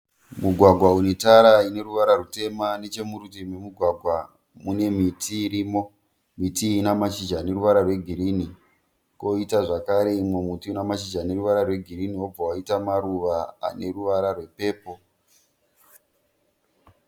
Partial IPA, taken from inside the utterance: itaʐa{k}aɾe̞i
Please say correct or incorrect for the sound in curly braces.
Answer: correct